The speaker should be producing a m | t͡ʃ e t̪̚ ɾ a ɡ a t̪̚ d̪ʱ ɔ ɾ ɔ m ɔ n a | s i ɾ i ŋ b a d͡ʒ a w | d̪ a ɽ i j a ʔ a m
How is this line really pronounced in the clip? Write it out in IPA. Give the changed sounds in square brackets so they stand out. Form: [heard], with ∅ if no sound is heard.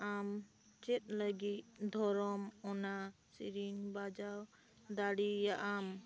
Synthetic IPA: a m | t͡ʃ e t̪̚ [l] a ɡ [i] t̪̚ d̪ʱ ɔ ɾ ɔ m ɔ n a | s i ɾ i ŋ b a d͡ʒ a w | d̪ a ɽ i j a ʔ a m